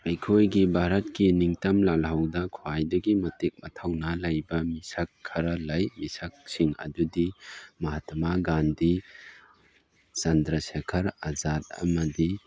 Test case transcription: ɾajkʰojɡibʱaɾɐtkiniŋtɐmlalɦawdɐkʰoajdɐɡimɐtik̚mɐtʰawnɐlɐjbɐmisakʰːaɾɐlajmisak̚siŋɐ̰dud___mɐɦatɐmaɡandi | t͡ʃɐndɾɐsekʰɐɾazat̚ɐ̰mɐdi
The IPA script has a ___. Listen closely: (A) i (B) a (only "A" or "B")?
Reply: A